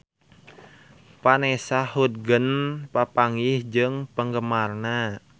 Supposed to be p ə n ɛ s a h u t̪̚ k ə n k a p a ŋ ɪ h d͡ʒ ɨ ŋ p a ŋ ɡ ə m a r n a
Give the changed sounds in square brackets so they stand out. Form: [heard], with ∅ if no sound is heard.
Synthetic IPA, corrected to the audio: p [a] n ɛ s a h u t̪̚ [ɡ] ə n [p] a p a ŋ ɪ h d͡ʒ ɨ ŋ p [ə] ŋ ɡ ə m a r n a